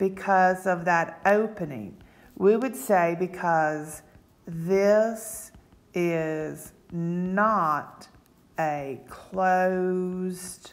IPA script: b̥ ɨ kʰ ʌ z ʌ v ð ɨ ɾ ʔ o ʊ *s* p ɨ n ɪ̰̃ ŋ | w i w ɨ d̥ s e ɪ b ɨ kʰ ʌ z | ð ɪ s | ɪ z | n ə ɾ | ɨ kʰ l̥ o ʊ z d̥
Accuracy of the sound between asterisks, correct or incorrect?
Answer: incorrect: none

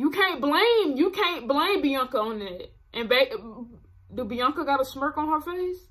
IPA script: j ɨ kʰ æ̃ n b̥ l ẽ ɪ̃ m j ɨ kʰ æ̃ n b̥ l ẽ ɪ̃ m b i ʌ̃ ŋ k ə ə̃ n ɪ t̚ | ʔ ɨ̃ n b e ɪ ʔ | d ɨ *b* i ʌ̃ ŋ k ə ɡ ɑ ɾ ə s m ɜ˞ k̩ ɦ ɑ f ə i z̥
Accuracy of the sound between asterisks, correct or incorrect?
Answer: correct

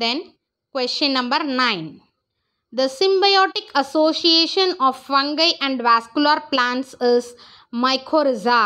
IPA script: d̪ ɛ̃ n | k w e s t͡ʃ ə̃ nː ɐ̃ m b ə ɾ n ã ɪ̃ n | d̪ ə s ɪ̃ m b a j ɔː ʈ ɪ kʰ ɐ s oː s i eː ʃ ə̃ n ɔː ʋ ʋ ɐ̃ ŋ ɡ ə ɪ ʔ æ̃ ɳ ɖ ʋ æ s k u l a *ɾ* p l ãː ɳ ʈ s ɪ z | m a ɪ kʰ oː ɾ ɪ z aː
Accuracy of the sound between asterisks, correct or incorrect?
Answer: correct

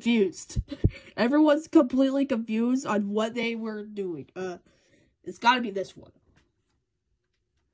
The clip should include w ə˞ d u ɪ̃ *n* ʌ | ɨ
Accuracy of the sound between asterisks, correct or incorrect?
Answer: incorrect: ŋ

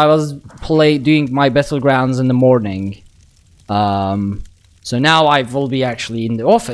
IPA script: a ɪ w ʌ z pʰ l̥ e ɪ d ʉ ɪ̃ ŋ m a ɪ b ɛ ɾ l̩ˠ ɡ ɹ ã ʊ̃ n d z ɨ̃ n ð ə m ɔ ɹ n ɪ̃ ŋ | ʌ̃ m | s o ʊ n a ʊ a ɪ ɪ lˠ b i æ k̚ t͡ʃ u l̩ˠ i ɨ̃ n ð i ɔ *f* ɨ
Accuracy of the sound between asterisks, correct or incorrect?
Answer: correct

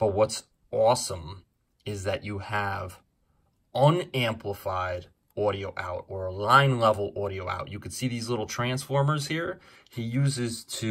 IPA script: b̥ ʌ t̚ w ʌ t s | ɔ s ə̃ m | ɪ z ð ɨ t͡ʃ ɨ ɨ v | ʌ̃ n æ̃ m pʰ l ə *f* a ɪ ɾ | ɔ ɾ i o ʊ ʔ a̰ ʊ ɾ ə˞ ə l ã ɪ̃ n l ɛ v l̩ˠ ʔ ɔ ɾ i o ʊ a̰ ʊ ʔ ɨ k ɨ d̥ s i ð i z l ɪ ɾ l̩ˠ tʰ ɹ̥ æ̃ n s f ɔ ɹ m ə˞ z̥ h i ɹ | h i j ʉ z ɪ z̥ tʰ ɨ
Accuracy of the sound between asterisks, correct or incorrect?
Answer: correct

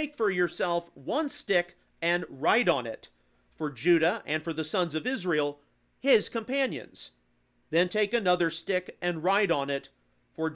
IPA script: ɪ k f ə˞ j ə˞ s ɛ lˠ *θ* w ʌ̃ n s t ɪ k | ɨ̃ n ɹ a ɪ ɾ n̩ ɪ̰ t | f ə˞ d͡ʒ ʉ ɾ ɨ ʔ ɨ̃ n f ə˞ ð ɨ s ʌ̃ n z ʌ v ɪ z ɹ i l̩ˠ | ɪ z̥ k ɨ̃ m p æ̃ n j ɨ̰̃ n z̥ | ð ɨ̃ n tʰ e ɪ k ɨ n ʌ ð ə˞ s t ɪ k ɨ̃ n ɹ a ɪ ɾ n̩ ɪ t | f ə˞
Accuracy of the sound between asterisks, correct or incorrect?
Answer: incorrect: f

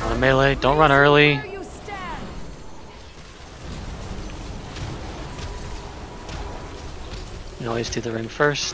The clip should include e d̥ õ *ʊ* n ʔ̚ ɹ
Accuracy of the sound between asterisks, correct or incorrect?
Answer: incorrect: ʊ̃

